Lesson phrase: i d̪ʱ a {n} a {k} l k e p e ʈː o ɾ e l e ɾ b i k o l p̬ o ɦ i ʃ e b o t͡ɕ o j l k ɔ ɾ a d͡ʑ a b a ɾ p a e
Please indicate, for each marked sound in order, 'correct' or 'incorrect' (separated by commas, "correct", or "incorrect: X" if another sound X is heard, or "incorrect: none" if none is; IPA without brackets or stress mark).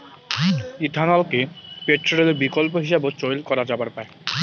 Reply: correct, incorrect: none